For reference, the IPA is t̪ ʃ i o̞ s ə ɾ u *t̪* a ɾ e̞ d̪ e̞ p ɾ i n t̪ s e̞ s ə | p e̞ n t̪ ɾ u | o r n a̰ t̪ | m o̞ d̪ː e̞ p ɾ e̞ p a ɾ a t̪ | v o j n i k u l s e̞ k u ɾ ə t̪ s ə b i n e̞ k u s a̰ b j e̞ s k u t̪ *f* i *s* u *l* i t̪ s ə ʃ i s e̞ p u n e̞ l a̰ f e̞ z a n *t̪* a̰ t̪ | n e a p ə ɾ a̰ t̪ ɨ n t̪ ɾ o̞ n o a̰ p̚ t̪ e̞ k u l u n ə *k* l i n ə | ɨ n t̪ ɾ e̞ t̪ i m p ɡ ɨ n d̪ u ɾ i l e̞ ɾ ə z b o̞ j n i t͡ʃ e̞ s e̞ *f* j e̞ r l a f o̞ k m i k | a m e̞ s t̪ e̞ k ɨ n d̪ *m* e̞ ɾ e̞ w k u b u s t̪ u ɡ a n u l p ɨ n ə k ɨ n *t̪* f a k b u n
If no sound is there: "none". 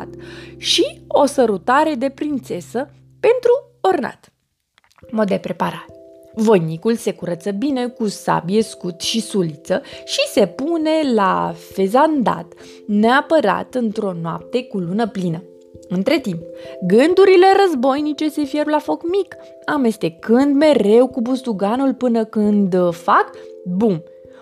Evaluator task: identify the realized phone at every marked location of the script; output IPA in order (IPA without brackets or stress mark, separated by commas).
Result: t̪, ʃ, s, l, d̪, p, f, m, d̪